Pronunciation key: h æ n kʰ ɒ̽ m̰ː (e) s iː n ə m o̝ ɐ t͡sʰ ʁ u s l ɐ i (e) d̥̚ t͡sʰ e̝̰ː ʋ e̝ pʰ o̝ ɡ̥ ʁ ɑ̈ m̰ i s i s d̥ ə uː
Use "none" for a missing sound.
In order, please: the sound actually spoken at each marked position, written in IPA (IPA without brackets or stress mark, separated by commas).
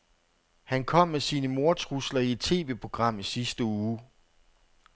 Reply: e, e